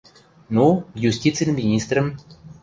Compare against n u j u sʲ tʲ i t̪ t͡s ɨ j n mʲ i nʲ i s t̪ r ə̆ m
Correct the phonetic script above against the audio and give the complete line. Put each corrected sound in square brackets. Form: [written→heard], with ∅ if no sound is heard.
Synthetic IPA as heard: n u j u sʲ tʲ i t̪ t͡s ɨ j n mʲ i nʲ i s t̪ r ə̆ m